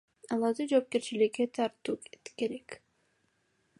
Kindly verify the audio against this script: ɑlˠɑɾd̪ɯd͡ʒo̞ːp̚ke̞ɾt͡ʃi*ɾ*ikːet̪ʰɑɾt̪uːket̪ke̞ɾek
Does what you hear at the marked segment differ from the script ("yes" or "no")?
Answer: yes